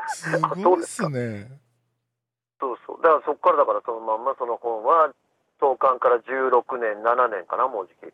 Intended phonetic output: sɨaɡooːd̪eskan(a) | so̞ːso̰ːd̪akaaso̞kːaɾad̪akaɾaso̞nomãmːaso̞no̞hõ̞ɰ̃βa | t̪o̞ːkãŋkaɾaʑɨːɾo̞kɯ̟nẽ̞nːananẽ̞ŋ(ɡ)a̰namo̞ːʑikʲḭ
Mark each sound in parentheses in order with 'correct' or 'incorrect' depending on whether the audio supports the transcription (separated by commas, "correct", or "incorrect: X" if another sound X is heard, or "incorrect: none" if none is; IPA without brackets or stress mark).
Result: incorrect: e, incorrect: k